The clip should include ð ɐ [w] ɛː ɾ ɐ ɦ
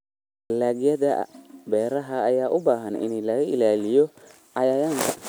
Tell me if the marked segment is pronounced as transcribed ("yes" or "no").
no